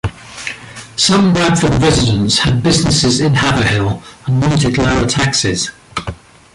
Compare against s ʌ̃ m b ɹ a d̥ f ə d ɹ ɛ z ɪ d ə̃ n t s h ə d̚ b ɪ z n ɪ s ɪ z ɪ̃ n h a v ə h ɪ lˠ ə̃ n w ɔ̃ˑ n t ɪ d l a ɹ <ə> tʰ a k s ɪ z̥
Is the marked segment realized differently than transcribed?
no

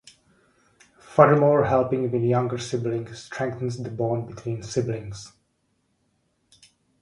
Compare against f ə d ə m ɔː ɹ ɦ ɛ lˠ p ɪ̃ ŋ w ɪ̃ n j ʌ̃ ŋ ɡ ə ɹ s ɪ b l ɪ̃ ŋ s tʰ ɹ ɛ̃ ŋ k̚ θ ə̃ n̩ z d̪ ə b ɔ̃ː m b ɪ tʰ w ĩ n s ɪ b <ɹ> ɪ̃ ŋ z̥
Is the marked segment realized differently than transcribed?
yes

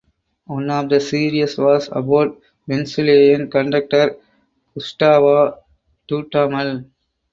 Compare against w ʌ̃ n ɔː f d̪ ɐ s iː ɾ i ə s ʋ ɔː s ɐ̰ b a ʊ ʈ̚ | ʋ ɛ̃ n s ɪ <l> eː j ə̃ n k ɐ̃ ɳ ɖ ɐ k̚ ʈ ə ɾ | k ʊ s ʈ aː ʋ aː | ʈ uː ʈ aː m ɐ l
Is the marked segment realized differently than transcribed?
no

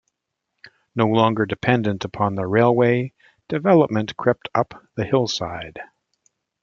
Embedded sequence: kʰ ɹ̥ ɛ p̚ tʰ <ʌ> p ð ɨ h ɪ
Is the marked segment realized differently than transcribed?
no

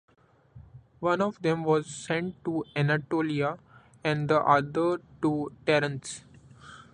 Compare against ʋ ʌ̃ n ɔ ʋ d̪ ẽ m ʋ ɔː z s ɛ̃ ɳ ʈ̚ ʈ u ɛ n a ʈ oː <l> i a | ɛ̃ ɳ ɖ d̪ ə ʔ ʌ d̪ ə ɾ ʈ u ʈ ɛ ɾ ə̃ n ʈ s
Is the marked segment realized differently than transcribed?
no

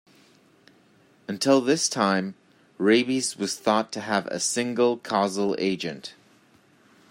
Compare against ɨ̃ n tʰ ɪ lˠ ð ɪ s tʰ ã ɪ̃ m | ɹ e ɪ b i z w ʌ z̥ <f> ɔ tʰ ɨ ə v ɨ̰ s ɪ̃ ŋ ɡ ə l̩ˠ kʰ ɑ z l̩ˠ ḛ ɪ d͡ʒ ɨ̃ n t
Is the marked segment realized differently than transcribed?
yes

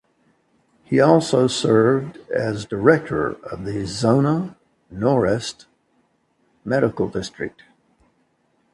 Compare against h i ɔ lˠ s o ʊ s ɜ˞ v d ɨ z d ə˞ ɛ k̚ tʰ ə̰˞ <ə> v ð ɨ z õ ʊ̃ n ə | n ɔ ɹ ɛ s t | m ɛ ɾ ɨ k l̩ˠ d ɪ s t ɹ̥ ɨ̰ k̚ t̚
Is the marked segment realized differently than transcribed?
yes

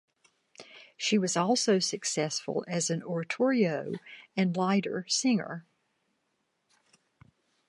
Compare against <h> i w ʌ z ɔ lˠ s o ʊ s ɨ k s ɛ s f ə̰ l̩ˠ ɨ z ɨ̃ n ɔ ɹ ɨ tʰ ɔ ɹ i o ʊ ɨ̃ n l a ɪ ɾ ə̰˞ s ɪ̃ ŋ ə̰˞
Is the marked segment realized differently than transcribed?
yes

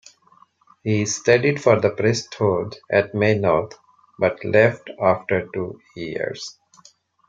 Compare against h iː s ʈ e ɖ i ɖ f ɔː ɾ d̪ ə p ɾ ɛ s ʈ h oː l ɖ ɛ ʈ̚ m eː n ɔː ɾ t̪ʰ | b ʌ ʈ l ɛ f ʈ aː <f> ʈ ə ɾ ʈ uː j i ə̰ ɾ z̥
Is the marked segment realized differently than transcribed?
no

